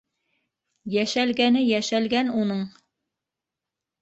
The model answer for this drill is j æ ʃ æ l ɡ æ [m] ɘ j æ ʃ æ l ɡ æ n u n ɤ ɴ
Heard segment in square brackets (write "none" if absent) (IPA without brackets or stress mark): n